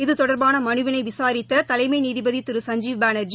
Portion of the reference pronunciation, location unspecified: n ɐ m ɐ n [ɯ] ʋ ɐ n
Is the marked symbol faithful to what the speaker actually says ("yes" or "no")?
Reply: yes